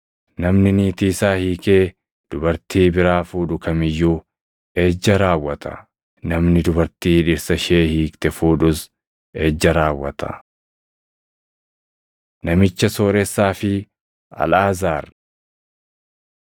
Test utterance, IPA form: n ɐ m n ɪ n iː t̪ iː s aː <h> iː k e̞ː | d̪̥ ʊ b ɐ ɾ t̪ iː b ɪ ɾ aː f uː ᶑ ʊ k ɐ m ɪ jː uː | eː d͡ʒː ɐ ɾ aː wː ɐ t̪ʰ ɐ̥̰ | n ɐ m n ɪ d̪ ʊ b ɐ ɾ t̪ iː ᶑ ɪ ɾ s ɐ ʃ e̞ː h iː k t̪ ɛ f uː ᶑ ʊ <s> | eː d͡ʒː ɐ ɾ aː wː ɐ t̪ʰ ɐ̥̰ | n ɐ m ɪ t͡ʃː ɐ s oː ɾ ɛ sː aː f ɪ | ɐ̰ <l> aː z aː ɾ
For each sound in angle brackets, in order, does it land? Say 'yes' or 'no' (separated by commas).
yes, yes, yes